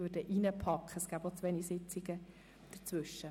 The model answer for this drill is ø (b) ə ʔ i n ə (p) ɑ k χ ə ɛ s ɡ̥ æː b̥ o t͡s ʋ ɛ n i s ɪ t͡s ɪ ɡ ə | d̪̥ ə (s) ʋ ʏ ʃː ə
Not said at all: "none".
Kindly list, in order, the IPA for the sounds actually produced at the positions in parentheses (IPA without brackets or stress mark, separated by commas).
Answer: d, pʰ, t͡s